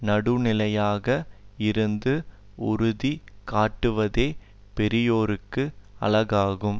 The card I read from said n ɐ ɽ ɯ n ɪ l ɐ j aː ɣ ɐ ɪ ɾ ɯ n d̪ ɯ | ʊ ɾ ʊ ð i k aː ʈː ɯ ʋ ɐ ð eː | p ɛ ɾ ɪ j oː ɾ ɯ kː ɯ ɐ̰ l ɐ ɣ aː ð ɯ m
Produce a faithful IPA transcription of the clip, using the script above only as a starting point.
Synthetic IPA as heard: n ɐ ɽ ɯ n ɪ l ɐ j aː ɣ ɐ ɪ ɾ ɯ n d̪ ɯ | ʊ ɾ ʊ ð i k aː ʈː ɯ ʋ ɐ ð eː | p ɛ ɾ ɪ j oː ɾ ɯ kː ɯ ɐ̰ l ɐ ɣ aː ɣ ɯ m